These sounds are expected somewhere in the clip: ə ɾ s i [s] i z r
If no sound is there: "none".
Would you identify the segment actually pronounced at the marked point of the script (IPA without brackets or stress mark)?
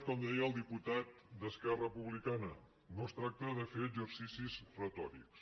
s